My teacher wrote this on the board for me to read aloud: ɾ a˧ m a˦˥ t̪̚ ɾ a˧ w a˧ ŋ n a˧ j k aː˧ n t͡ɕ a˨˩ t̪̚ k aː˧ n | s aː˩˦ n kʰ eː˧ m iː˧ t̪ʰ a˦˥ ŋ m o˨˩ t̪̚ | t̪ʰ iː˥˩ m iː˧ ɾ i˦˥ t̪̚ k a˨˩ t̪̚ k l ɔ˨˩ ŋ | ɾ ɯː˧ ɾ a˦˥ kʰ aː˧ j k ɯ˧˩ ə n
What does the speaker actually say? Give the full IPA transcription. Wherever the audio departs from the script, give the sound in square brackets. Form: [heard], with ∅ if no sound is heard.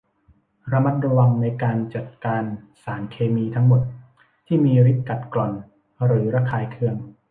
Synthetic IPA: ɾ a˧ m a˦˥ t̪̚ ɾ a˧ w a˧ ŋ n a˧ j k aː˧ n t͡ɕ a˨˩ t̪̚ k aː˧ n | s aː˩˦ n kʰ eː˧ m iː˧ t̪ʰ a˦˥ ŋ m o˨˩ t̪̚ | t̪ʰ iː˥˩ m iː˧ ɾ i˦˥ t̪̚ k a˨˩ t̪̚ k l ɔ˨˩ [n] | ɾ [ɯː˩˦] ɾ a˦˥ kʰ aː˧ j [kʰ] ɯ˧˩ ə [ŋ]

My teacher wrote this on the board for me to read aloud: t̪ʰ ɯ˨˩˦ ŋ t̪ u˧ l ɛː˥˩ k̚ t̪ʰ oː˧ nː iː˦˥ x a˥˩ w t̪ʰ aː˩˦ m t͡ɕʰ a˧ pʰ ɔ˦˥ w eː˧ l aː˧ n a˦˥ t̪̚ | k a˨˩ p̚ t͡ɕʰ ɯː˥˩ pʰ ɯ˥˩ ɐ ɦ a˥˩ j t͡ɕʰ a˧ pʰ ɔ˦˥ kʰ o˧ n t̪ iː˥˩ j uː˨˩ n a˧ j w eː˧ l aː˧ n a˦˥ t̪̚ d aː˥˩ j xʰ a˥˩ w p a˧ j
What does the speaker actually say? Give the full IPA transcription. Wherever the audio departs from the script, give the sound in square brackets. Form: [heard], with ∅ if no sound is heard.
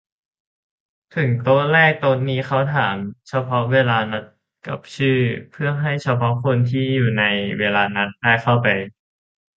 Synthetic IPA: t̪ʰ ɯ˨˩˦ ŋ t̪ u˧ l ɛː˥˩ k̚ [t̪] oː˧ nː iː˦˥ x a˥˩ w t̪ʰ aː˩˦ m t͡ɕʰ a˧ pʰ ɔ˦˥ w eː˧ l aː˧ n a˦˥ t̪̚ | k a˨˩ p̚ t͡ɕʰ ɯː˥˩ pʰ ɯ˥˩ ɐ ɦ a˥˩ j t͡ɕʰ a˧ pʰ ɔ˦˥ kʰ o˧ n [t̪ʰ] iː˥˩ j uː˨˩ n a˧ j w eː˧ l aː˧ n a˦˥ t̪̚ d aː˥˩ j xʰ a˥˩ w p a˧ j

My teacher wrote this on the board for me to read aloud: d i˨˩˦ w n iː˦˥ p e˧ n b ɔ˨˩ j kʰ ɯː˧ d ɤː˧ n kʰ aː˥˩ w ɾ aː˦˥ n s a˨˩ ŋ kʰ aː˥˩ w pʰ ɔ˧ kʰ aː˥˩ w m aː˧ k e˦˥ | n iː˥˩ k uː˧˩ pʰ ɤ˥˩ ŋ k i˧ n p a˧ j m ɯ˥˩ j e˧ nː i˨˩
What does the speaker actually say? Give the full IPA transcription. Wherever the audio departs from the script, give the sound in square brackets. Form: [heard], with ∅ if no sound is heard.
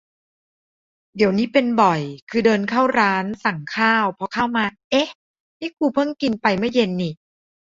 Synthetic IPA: d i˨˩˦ w n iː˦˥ p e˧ n b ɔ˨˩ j kʰ ɯː˧ d ɤː˧ n kʰ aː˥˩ w ɾ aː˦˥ n s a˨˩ ŋ kʰ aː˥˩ w pʰ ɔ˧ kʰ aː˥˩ w m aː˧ [ʔ] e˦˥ | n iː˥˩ k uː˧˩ pʰ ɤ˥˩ ŋ k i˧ n p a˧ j m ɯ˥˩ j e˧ nː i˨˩

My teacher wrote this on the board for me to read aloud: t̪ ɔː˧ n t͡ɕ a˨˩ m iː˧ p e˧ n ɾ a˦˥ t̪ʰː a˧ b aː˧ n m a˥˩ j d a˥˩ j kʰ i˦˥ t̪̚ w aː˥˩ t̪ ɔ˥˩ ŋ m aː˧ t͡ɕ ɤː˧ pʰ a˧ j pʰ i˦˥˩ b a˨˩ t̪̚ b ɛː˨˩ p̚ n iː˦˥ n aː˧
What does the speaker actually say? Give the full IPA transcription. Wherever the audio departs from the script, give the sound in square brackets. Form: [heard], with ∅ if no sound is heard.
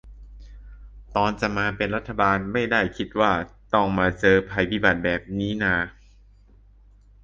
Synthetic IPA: t̪ ɔː˧ n t͡ɕ a˨˩ m [aː˧] p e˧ n ɾ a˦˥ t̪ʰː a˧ b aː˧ n m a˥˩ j d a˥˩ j kʰ i˦˥ t̪̚ w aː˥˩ t̪ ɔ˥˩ ŋ m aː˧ t͡ɕ ɤː˧ pʰ a˧ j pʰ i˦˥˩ b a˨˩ t̪̚ b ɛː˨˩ p̚ n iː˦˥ n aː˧

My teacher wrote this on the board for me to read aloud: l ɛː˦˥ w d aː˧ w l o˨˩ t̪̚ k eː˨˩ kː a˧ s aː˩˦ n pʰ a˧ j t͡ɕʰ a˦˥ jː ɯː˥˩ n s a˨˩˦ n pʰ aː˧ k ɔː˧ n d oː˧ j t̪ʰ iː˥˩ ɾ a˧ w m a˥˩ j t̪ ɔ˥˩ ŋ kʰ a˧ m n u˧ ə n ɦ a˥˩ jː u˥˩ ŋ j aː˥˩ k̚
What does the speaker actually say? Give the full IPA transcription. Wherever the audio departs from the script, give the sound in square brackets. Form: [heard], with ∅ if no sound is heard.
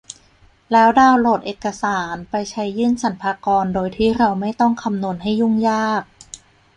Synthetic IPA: l ɛː˦˥ w d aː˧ w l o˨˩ t̪̚ [ʔ] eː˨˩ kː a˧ s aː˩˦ n [p] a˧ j t͡ɕʰ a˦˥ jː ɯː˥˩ n s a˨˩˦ n pʰ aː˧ k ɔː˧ n d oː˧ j t̪ʰ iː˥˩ ɾ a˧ w m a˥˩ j t̪ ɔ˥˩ ŋ kʰ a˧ m n u˧ ə n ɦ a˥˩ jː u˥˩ ŋ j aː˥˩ k̚

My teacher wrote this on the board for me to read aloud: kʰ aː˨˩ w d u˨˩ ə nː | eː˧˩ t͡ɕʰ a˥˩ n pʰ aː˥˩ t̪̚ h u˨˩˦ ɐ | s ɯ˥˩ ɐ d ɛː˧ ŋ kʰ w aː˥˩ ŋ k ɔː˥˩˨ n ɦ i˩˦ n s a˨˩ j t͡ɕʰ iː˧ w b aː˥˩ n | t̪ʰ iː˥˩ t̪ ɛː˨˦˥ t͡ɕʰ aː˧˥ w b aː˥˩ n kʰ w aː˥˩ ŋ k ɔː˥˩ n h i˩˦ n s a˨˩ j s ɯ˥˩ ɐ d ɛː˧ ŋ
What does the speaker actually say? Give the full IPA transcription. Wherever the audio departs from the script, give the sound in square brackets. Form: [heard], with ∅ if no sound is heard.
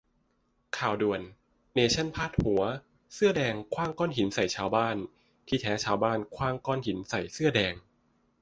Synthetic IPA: kʰ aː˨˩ w d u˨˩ ə nː | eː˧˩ t͡ɕʰ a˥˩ n pʰ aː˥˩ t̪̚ h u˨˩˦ ɐ | s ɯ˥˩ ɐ d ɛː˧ ŋ kʰ w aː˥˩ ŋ k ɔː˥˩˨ n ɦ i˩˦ n s a˨˩ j t͡ɕʰ [aː˧] w b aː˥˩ n | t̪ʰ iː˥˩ [t̪ʰ] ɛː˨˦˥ t͡ɕʰ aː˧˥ w b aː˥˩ n kʰ w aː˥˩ ŋ k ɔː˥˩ n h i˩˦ n s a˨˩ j s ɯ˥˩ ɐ d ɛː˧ ŋ

